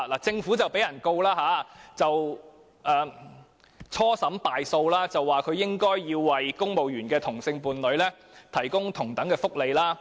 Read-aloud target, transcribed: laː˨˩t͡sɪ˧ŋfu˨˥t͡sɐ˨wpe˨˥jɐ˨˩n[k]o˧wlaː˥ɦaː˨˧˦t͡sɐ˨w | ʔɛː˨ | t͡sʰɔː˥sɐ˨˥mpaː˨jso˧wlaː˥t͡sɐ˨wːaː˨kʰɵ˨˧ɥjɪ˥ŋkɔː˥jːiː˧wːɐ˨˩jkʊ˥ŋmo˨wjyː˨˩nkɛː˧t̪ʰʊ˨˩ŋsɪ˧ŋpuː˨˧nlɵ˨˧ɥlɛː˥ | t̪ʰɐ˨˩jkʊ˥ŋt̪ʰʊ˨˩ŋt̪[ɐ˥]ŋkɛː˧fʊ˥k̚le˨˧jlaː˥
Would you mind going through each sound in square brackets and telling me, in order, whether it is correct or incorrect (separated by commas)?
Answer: correct, incorrect